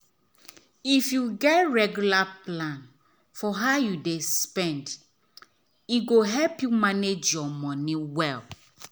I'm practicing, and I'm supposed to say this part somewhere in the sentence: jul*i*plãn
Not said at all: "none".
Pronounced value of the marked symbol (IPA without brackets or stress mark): a